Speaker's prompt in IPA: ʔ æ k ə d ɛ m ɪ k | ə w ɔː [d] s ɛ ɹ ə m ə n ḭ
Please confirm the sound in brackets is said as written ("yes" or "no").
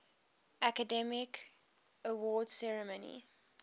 yes